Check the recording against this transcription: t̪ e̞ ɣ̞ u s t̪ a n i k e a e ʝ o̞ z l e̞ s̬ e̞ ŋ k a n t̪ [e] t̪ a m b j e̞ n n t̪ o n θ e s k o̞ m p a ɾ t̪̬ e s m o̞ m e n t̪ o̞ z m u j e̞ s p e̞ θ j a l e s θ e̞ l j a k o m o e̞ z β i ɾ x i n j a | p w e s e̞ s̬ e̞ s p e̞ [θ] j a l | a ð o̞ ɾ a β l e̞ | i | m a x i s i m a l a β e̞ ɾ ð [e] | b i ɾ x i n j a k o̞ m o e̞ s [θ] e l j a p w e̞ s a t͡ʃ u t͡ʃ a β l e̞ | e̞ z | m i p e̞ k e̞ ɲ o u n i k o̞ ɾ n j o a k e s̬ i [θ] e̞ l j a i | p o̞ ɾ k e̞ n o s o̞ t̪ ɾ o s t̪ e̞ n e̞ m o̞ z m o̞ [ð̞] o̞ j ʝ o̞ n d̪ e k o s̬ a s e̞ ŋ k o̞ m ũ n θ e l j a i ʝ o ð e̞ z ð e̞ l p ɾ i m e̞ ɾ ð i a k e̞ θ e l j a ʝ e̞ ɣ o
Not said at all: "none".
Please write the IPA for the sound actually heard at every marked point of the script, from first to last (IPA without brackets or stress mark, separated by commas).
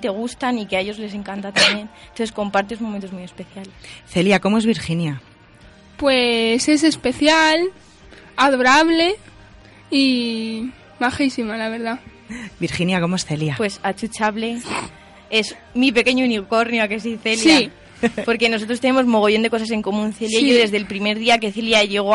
a, θ, a, θ, θ, ɣ̞